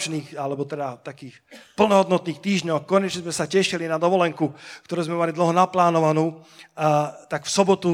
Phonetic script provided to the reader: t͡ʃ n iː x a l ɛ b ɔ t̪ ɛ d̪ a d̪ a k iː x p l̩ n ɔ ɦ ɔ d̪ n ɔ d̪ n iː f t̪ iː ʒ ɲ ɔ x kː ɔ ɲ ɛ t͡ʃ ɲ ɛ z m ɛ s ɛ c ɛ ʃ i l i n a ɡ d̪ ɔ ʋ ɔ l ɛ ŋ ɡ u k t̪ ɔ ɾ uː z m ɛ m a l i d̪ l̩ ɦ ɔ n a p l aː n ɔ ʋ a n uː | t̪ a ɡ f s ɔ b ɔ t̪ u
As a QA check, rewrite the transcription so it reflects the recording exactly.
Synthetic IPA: t͡ʃ n iː x a l ɛ b ɔ t̪ ɛ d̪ a t̪ a k iː x p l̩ n ɔ ɦ ɔ d̪ n ɔ t̪ n iː x t̪ iː ʒ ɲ ɔ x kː ɔ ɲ ɛ t͡ʃ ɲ ɛ z m ɛ s a c ɛ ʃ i l i n a d̪ ɔ ʋ ɔ l ɛ ŋ k u k t̪ ɔ ɾ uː z m ɛ m a l i d̪ l̩ ɦ ɔ n a p l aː n ɔ ʋ a n uː | t̪ a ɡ f s ɔ b ɔ t̪ u